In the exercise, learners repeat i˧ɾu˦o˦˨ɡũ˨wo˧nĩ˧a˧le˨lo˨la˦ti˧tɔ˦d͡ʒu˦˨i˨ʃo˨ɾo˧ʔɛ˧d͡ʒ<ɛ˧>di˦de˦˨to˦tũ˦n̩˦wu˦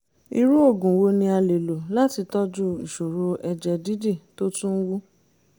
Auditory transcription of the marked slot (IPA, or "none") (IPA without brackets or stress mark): ɛ˧